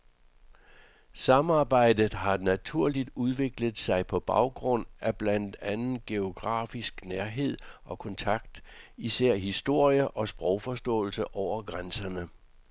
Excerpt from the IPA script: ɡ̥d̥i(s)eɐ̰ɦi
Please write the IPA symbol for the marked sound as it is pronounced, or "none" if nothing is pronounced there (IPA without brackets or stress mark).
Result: s